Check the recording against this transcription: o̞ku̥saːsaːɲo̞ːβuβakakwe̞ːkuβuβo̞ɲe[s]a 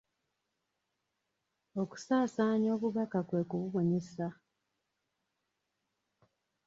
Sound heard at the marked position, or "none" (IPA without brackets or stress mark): s